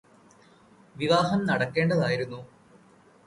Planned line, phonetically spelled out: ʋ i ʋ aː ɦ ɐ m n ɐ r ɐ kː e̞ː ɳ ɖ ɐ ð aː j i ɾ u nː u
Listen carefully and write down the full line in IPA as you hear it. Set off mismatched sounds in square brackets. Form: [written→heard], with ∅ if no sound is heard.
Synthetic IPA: ʋ i ʋ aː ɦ ɐ m n ɐ [r→ɽ] ɐ kː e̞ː ɳ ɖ ɐ ð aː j i ɾ u nː u